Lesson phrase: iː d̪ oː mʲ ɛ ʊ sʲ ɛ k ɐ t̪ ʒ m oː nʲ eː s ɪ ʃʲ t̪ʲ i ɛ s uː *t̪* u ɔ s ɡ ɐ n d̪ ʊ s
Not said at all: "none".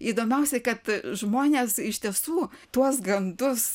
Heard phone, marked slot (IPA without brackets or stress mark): t̪